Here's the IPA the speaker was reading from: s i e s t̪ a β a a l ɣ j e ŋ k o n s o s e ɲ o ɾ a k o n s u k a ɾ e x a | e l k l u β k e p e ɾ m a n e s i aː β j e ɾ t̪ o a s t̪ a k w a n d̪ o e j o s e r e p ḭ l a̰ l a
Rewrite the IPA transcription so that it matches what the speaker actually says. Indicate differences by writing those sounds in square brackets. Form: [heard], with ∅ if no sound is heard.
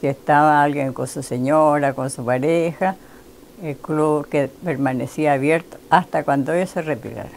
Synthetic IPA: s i e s t̪ a β a a l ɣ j e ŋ k o n s [u] s e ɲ o ɾ a k o n s u [p] a ɾ e x a | e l k l u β k e p e ɾ m a n e s i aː β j e ɾ t̪ o a s t̪ a k w a n d̪ o e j o s e r e p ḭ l a̰ [ɾ] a